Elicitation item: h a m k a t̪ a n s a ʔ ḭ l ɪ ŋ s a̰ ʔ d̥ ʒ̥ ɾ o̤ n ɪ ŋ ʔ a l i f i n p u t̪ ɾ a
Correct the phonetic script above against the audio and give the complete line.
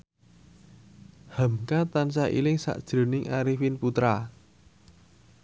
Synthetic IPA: h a m k a t̪ a n s a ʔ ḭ l ɪ ŋ s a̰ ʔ d̥ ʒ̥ ɾ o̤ n ɪ ŋ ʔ a ɾ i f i n p u t̪ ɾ a